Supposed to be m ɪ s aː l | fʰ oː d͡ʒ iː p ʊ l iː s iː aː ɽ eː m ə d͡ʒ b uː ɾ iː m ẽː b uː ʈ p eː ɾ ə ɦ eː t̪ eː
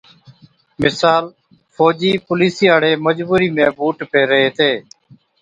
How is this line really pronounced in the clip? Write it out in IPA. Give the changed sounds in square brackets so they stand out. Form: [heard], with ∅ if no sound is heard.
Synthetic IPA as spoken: m ɪ s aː l | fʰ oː d͡ʒ iː p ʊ l iː s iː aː ɽ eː m ə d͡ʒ b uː ɾ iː m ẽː b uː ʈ p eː ɾ ə ɦ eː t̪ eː